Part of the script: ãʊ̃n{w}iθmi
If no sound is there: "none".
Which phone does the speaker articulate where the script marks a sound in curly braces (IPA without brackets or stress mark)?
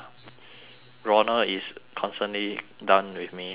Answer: w